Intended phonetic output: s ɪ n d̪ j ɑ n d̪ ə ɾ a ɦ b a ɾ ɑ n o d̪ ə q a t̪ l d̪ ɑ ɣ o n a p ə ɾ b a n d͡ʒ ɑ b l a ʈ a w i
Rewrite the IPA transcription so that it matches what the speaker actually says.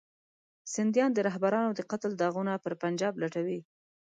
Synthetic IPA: s ɪ n d̪ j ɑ n d̪ ə ɾ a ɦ b a ɾ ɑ n o d̪ ə q a t̪ l d̪ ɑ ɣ u n a p ə ɾ p a n d͡ʒ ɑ b l a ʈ a w i